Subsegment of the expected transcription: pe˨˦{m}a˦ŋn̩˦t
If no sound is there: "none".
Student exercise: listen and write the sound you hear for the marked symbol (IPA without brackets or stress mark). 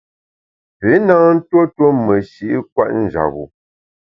n